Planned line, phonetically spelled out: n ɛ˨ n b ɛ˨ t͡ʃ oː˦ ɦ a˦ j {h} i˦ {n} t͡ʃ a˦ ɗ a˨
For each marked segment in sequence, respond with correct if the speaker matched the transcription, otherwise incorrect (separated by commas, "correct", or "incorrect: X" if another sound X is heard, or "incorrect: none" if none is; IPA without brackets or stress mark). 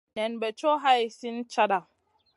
incorrect: s, correct